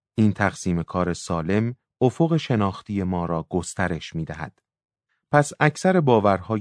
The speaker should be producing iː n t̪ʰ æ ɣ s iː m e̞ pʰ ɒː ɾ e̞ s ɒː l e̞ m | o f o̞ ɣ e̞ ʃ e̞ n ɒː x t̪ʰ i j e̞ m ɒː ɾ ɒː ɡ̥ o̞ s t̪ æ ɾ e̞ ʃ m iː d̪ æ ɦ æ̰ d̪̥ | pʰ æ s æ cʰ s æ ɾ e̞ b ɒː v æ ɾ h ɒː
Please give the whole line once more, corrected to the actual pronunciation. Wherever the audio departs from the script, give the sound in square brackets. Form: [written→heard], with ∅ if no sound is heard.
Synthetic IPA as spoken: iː n t̪ʰ æ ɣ s iː m e̞ [pʰ→kʰ] ɒː ɾ e̞ s ɒː l e̞ m | o f o̞ ɣ e̞ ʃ e̞ n ɒː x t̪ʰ i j e̞ m ɒː ɾ ɒː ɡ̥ o̞ s t̪ æ ɾ e̞ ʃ m iː d̪ æ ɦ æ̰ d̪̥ | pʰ æ s æ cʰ s æ ɾ e̞ b ɒː v æ ɾ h ɒː